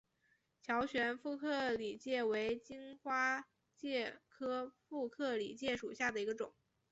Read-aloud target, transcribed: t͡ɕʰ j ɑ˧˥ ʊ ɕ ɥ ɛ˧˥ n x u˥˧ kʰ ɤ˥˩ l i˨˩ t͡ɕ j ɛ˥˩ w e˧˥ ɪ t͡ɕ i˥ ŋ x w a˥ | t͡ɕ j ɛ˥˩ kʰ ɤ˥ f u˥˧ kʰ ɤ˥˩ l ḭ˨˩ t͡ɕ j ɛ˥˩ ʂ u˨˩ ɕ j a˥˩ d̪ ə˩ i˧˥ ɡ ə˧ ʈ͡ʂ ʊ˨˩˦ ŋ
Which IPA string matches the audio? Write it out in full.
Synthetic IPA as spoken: t͡ɕʰ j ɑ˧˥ ʊ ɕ ɥ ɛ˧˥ n f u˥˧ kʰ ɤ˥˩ l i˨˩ t͡ɕ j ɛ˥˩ w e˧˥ ɪ t͡ɕ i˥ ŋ x w a˥ | t͡ɕ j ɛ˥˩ kʰ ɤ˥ f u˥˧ kʰ ɤ˥˩ l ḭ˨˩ t͡ɕ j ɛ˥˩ ʂ u˨˩ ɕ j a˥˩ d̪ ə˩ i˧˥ ɡ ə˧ ʈ͡ʂ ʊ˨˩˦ ŋ